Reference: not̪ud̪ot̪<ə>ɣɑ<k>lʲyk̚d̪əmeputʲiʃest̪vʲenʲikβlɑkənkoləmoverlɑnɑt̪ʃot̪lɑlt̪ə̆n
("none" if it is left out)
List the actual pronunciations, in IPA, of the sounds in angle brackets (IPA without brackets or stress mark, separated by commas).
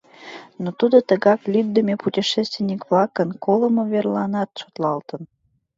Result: ə, k